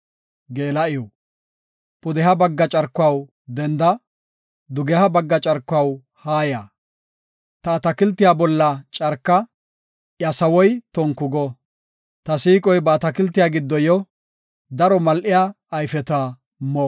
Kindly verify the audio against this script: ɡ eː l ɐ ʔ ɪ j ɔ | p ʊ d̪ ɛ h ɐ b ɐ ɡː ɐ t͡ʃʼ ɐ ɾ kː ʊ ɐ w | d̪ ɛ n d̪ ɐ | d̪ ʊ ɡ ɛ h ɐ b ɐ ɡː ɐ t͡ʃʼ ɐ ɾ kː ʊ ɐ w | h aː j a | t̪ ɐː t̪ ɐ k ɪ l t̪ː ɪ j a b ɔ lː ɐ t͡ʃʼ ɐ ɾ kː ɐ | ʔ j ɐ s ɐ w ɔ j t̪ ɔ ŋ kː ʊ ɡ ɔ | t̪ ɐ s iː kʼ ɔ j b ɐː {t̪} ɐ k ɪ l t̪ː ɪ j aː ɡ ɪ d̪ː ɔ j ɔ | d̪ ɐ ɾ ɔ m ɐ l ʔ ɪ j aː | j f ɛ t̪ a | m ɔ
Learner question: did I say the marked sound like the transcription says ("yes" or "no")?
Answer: yes